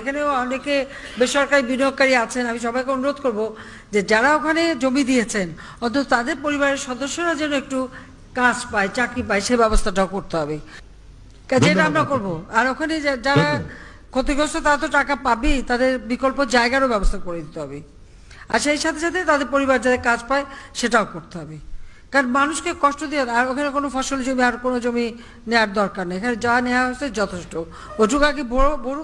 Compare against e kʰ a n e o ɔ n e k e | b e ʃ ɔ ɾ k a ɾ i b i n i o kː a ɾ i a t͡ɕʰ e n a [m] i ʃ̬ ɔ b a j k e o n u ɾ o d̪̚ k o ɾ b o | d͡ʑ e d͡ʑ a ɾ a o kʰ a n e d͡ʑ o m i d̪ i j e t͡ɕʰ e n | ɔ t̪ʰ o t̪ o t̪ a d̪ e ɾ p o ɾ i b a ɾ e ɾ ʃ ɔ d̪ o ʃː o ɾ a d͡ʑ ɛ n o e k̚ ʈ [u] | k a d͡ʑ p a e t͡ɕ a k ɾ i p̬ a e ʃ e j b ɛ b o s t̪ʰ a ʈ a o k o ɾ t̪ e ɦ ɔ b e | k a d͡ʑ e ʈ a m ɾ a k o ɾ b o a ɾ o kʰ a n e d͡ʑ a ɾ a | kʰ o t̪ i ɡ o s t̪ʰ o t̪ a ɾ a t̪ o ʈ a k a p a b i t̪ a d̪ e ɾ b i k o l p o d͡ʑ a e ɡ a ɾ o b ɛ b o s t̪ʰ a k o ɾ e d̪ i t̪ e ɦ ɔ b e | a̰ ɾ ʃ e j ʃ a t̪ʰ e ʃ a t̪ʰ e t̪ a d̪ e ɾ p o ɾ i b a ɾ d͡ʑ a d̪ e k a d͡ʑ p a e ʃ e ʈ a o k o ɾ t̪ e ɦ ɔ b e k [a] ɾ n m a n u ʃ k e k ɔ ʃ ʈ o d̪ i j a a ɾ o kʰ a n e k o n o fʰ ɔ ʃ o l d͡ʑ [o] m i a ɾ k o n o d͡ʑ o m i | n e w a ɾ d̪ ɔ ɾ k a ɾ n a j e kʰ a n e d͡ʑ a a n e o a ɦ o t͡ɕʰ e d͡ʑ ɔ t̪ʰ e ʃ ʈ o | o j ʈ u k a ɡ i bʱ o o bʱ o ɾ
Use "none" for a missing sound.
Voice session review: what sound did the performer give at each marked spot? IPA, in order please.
m, u, a, o

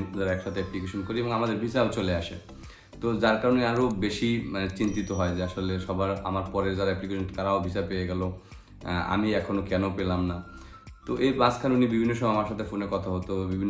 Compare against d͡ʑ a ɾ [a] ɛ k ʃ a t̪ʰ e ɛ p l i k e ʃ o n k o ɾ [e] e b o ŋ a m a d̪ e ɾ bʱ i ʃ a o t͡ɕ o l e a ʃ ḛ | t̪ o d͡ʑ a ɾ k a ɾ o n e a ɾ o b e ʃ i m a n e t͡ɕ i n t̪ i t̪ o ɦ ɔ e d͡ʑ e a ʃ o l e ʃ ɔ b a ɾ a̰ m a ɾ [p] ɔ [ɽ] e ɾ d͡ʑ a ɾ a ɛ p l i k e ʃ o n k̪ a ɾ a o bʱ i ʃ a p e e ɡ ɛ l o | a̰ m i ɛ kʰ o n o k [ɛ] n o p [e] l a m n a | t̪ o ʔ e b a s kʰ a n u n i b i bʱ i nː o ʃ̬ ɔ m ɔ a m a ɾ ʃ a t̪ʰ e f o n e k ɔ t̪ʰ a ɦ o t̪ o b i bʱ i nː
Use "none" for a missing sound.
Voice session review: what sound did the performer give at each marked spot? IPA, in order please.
a, i, p, ɾ, ɛ, e

